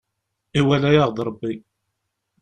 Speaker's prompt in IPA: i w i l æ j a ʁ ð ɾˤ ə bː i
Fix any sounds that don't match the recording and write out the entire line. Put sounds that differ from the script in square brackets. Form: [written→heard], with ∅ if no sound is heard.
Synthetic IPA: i w [i→æ] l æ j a ʁ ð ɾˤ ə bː i

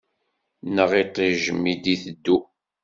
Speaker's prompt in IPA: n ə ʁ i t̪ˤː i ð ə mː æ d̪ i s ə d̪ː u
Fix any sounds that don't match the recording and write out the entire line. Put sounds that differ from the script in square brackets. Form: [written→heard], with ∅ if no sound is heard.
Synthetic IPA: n ə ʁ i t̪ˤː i [ð→ʒ] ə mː [æ→i] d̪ i [s→θ] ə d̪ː u

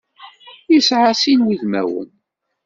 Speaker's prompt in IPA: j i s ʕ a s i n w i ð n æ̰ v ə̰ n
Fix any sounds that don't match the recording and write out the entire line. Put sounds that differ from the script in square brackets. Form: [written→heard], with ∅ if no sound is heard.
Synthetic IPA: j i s ʕ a s i n w i ð [n→m] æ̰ [v→w] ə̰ n

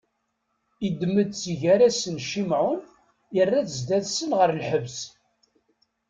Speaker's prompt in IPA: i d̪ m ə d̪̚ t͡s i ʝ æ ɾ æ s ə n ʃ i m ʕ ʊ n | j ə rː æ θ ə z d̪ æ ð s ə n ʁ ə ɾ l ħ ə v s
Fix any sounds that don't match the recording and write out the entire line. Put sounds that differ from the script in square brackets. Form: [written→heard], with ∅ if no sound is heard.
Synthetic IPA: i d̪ m ə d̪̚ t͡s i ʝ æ ɾ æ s ə n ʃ i m ʕ ʊ n | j ə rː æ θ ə z d̪ æ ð s ə n ʁ ə ɾ l ħ ə v s

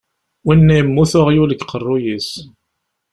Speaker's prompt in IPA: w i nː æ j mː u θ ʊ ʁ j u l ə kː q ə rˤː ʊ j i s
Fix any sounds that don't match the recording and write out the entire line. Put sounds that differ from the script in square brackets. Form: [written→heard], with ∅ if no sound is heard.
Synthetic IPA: w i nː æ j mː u θ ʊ ʁ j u l ə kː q ə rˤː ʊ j i s

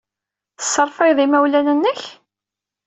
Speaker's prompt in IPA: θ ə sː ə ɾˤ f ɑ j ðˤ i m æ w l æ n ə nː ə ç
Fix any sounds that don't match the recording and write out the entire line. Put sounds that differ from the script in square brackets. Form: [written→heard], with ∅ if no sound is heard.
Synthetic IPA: θ ə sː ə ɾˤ f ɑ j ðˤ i m æ w l æ n ə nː ə ç

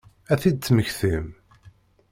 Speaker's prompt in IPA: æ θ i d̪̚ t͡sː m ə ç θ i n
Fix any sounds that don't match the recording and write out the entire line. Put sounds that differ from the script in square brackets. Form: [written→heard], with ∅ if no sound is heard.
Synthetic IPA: æ θ i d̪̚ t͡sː m ə ç θ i [n→m]

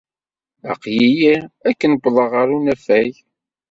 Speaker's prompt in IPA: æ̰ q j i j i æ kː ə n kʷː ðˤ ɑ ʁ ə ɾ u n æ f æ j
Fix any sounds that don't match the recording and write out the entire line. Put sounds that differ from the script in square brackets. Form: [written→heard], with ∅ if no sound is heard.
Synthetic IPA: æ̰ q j i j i æ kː ə n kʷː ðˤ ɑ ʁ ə ɾ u n æ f æ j

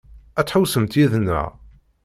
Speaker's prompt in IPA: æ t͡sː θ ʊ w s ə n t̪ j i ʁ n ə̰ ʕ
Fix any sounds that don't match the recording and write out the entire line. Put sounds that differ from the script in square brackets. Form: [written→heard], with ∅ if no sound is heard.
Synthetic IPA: æ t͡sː [θ→ħ] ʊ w s ə [n→m] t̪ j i [ʁ→ð] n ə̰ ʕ

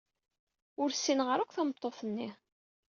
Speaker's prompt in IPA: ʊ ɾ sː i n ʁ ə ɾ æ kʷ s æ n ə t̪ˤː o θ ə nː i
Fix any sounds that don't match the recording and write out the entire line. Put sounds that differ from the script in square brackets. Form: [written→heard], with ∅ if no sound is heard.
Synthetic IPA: ʊ ɾ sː i n ʁ ə ɾ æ kʷ [s→θ] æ [n→m] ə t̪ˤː o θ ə nː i

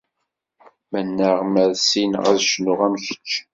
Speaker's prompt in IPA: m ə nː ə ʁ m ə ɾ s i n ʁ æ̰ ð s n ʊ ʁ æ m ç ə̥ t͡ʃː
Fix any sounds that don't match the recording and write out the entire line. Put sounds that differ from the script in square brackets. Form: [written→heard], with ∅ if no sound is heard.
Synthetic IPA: m ə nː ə ʁ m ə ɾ s i n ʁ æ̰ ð [s→ʃ] n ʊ ʁ æ m ç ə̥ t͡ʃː

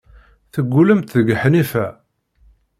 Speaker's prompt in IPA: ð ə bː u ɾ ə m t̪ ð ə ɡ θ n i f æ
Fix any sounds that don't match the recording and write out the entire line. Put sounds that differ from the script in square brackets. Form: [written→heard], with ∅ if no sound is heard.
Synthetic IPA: [ð→θ] ə [bː→ɡː] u [ɾ→l] ə m t̪ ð ə ɡ [θ→ħ] n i f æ

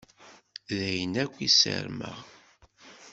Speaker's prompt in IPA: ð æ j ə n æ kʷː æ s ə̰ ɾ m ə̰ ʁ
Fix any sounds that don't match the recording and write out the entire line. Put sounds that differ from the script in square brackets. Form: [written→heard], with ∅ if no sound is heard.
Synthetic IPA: ð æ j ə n æ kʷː [æ→i] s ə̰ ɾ m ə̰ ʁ

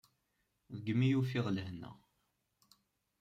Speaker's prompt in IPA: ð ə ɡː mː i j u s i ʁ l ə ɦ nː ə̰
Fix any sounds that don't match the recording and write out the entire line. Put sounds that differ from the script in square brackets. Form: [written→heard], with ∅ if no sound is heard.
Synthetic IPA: ð ə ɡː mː i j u [s→f] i ʁ l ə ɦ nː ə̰

